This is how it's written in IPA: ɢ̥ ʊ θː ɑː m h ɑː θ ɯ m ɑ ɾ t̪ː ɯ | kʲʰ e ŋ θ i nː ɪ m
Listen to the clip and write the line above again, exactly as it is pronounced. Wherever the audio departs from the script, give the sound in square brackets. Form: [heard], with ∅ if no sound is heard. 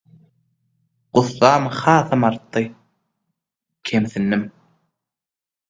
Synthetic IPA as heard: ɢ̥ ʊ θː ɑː m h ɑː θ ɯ m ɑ ɾ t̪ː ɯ | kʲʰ e [m] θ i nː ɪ m